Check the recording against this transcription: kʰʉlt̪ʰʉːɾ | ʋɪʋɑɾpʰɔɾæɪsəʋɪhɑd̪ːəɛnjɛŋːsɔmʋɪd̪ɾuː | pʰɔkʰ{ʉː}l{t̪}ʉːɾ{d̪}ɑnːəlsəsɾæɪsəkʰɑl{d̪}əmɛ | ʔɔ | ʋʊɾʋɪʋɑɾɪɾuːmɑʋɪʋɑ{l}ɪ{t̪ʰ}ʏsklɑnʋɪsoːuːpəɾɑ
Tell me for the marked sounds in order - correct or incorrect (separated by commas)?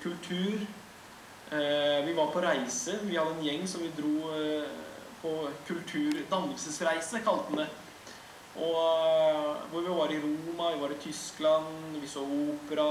incorrect, incorrect, correct, incorrect, incorrect, correct